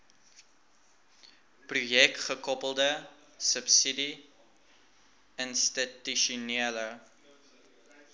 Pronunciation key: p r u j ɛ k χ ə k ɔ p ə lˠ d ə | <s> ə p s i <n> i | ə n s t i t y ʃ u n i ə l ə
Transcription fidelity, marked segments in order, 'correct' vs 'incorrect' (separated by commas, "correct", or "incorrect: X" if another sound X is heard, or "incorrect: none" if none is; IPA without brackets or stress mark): correct, incorrect: d